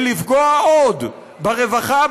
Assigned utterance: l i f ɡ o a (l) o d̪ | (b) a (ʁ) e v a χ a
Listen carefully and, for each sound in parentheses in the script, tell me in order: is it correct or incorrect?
incorrect: none, correct, correct

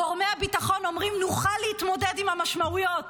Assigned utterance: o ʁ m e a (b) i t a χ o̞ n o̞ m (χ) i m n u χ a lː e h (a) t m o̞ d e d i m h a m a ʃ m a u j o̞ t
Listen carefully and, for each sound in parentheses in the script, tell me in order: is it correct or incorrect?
correct, incorrect: ʁ, incorrect: i

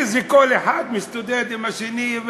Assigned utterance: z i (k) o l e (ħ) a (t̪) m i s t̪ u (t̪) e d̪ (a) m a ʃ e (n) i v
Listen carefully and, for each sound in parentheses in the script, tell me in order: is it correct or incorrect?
correct, correct, incorrect: d̪, incorrect: d̪, incorrect: i, correct

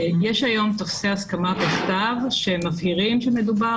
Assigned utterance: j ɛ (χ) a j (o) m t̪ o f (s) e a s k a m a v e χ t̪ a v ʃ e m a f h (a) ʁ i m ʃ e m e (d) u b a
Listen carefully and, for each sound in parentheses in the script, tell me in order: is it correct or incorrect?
incorrect: ʃ, correct, correct, incorrect: i, correct

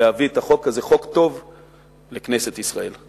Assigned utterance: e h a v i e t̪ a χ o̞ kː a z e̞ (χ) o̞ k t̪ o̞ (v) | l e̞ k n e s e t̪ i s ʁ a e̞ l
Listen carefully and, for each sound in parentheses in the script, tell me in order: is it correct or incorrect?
correct, correct

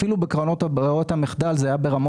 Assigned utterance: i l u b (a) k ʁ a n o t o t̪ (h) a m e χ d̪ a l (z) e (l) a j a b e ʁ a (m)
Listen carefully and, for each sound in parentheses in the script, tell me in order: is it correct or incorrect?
incorrect: e, correct, correct, incorrect: none, correct

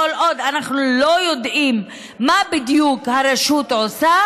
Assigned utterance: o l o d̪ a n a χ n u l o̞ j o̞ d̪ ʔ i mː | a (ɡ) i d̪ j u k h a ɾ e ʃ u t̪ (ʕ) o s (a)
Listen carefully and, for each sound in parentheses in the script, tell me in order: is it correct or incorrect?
incorrect: b, correct, correct

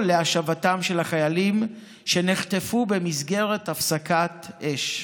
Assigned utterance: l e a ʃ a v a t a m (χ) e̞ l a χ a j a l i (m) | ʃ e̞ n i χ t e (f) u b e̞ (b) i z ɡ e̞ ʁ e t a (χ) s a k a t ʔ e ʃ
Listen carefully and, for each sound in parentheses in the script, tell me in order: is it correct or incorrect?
incorrect: ʃ, correct, correct, incorrect: m, incorrect: f

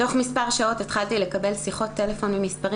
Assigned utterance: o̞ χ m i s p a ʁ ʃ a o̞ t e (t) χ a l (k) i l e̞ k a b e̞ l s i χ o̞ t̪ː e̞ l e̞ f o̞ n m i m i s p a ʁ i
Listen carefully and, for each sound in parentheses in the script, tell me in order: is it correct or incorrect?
correct, incorrect: t

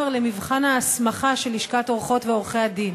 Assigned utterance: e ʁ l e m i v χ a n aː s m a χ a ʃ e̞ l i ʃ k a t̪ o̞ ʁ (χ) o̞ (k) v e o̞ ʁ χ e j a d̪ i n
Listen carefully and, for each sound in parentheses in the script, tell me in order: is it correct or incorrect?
correct, incorrect: t

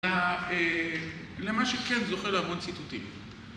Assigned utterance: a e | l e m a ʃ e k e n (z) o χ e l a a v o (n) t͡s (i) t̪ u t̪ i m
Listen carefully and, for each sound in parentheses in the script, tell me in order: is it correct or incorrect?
correct, correct, correct

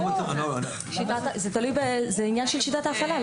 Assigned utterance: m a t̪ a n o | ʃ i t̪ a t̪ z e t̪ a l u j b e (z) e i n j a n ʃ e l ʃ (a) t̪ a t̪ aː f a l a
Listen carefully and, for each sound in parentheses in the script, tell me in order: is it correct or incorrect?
correct, incorrect: i

